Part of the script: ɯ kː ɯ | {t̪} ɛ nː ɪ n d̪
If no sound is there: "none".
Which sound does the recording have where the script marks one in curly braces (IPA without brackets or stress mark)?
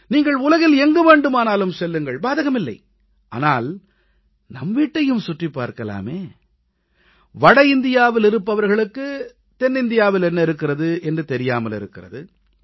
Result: t̪